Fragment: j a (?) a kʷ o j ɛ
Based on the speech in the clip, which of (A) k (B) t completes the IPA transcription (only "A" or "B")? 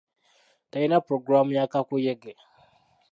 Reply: A